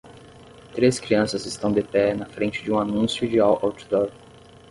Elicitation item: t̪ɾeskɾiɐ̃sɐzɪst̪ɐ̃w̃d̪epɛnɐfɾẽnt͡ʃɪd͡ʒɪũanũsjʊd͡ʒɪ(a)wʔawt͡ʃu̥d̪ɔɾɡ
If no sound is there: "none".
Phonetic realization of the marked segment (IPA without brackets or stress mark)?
a